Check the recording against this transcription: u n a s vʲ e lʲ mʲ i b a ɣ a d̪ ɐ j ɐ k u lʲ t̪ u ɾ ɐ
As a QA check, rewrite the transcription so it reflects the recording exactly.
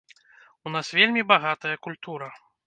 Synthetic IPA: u n a s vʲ e lʲ mʲ i b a ɣ a t̪ ɐ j ɐ k u lʲ t̪ u ɾ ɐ